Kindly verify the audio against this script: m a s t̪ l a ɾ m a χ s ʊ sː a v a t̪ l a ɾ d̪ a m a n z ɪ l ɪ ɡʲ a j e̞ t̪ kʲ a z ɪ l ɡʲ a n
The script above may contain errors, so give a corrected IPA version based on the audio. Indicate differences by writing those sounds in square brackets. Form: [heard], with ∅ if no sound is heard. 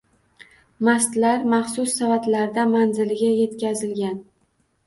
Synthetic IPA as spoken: m a s t̪ l a ɾ m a χ s ʊ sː a v a t̪ l a ɾ d̪ a m a n z ɪ l ɪ ɡʲ a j e̞ t̪ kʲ a z ɪ l ɡʲ a n